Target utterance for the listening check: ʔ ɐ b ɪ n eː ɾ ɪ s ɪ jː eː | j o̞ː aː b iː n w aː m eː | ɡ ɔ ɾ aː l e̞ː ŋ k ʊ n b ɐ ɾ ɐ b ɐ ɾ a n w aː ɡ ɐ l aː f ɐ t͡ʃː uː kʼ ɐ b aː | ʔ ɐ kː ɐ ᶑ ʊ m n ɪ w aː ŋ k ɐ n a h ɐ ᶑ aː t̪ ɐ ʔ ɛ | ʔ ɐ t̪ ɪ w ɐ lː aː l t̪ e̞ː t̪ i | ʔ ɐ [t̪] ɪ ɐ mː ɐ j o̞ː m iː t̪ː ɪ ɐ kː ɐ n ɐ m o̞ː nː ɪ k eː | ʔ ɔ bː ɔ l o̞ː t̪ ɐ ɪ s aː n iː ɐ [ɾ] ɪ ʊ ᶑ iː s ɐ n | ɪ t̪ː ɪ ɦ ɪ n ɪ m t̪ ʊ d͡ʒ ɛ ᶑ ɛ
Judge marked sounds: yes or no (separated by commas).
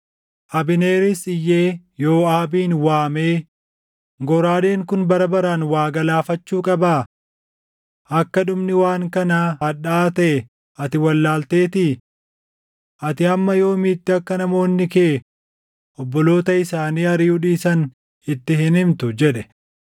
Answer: yes, yes